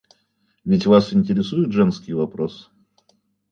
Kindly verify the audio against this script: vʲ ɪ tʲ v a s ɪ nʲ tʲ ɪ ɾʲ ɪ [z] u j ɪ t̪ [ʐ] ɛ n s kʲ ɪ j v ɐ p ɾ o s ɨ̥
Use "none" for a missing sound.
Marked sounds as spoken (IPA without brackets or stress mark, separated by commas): s, ʐ